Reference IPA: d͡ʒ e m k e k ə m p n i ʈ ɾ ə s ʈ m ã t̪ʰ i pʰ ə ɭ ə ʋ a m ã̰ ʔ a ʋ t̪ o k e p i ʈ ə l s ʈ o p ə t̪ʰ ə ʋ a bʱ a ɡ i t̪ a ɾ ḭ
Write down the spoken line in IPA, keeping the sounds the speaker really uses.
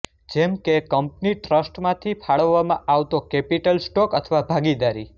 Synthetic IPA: d͡ʒ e m k e k ə m p n i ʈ ɾ ə s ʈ m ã t̪ʰ i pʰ a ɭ ə ʋː a m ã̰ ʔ a ʋ t̪ o k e p i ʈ ə l s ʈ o k ə t̪ʰ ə ʋ a bʱ a ɡ i d̪ a ɾ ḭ